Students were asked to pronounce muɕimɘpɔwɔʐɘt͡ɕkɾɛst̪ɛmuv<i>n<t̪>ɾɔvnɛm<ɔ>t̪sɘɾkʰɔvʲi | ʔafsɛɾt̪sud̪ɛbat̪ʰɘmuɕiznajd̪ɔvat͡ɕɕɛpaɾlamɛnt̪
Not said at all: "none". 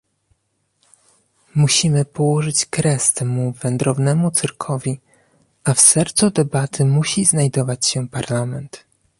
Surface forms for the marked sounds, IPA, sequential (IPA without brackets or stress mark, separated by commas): ɛ, d̪, u